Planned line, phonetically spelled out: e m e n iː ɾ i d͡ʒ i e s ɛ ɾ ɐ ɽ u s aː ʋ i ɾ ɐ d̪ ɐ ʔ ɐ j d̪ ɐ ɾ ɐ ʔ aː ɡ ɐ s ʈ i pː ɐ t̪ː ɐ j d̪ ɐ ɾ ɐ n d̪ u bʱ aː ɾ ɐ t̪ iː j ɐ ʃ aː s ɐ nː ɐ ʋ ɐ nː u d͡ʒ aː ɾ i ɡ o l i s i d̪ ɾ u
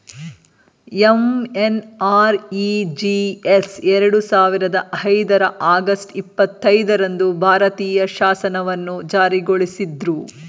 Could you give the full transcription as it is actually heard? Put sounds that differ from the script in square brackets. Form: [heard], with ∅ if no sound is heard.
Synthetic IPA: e m e n [aː] ɾ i d͡ʒ i e s ɛ ɾ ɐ ɽ u s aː ʋ i ɾ ɐ d̪ ɐ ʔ ɐ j d̪ ɐ ɾ ɐ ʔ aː ɡ ɐ s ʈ i pː ɐ t̪ː ɐ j d̪ ɐ ɾ ɐ n d̪ u bʱ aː ɾ ɐ t̪ iː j ɐ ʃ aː s ɐ [n] ɐ ʋ ɐ nː u d͡ʒ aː ɾ i ɡ o [ɭ] i s i d̪ ɾ u